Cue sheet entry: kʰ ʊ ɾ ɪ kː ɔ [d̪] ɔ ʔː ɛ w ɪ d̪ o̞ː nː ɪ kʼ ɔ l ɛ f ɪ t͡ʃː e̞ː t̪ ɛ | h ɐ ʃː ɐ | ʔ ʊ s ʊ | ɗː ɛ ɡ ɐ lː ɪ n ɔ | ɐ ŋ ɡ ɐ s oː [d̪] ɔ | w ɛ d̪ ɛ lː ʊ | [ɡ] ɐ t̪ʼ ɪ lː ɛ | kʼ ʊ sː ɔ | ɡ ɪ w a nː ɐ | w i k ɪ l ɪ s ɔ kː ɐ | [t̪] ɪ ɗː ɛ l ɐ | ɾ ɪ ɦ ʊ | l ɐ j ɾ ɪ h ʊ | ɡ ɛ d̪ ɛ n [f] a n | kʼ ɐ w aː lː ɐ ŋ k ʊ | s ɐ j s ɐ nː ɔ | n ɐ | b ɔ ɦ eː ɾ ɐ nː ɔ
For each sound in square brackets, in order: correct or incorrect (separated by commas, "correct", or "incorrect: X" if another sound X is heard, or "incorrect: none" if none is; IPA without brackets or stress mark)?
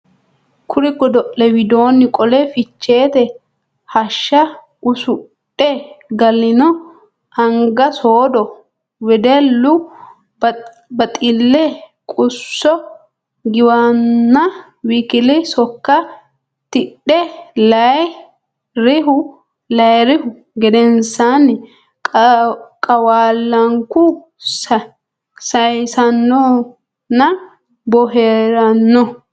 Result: correct, correct, incorrect: b, correct, incorrect: s